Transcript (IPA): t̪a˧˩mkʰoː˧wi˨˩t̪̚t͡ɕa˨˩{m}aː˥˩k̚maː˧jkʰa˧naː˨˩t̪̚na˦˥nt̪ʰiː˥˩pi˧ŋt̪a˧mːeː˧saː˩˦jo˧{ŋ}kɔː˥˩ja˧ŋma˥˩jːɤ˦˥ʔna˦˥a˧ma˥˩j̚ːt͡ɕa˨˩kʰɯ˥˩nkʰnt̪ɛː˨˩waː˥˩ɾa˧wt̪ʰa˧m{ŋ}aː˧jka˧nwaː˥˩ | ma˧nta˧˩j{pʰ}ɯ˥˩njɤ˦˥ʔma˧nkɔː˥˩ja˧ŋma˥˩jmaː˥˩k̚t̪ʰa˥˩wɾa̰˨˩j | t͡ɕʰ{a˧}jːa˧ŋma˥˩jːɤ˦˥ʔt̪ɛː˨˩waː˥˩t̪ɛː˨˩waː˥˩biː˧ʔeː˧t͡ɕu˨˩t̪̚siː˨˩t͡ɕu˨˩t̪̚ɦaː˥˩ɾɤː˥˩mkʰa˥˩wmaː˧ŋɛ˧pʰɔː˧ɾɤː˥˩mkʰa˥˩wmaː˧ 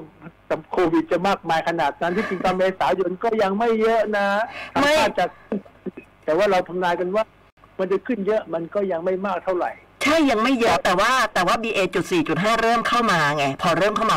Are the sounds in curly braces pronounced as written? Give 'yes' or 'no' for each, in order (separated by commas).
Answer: yes, no, no, no, no